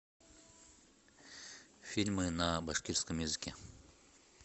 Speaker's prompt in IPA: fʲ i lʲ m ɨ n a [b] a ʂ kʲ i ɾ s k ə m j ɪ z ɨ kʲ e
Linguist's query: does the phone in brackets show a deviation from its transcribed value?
no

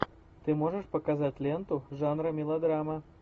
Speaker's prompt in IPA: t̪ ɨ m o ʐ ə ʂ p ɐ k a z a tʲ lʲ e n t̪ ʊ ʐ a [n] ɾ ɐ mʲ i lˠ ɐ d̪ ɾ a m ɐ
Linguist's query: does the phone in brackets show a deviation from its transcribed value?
no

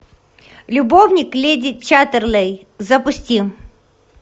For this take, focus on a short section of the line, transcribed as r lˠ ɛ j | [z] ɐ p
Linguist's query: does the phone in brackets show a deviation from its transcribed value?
no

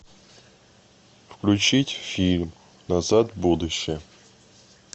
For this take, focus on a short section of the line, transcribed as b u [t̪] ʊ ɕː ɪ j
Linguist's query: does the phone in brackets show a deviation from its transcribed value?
yes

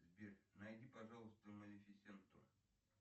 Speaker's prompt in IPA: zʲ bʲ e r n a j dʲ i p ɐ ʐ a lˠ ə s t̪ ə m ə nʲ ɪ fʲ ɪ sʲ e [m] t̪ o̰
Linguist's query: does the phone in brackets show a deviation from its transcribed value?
yes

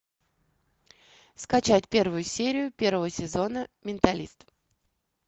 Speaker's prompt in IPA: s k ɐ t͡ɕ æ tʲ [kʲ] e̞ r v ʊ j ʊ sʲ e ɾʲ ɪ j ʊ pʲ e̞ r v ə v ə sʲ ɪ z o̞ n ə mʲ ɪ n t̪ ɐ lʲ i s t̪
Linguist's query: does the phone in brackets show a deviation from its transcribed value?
yes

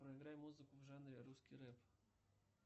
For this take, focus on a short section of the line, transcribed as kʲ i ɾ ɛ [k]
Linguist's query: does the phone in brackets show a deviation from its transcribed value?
yes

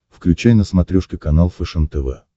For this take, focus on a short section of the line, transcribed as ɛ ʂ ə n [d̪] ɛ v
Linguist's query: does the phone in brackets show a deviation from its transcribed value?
yes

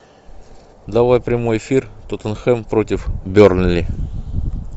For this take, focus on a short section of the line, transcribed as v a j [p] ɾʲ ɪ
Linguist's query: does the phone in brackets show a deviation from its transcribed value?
no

